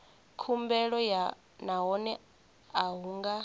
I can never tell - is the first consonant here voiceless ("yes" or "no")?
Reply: yes